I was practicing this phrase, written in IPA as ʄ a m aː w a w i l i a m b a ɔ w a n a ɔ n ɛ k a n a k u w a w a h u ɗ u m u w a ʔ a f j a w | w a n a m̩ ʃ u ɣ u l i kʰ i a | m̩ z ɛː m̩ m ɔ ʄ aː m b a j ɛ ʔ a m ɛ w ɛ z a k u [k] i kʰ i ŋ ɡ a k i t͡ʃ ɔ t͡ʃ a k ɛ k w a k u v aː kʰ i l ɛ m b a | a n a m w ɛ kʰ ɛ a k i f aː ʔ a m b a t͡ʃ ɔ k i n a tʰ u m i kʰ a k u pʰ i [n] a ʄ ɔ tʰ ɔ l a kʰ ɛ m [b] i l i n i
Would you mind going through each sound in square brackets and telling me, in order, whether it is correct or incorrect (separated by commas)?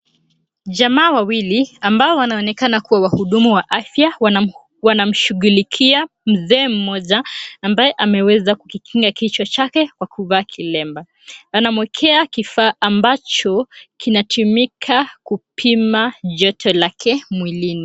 correct, incorrect, incorrect